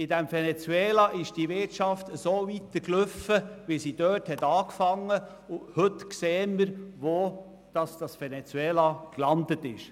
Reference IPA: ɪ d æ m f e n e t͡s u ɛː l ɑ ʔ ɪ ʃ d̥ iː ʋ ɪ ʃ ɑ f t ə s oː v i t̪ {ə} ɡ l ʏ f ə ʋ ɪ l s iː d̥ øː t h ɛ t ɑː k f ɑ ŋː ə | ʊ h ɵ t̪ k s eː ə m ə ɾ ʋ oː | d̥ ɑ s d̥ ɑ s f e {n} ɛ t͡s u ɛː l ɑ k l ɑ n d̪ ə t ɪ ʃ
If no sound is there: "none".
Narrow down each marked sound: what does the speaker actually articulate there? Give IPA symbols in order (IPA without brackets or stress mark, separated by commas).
ə, n